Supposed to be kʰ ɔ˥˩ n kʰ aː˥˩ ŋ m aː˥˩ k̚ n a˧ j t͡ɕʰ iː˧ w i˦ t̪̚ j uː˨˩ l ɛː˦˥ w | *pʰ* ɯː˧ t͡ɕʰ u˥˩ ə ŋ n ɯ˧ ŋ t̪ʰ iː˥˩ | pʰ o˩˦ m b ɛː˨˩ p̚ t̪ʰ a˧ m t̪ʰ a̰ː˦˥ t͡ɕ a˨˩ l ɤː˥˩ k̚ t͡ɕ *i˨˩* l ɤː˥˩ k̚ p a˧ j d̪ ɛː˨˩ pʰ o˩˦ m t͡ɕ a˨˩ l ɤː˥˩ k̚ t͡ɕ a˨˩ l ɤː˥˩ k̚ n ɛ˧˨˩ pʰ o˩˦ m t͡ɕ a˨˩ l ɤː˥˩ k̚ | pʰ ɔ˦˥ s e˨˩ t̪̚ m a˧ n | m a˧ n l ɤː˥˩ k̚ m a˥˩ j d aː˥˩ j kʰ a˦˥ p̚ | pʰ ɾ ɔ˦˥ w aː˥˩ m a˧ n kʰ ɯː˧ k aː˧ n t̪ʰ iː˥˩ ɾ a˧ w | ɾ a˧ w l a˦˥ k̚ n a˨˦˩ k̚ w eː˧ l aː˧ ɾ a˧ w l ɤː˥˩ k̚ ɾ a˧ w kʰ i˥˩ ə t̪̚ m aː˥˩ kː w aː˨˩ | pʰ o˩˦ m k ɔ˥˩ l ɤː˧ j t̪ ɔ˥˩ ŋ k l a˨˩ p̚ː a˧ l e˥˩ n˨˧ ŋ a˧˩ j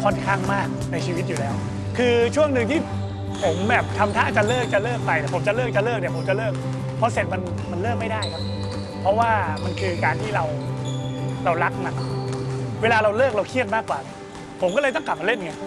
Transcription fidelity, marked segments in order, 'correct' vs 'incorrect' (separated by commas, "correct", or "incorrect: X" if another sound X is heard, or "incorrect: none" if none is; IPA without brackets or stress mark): incorrect: kʰ, incorrect: a˨˩